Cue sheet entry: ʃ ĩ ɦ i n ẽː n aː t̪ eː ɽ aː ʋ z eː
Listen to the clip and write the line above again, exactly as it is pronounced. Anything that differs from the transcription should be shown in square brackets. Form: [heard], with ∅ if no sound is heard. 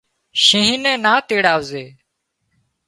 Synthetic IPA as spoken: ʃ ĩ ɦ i n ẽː n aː t̪ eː ɽ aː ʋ z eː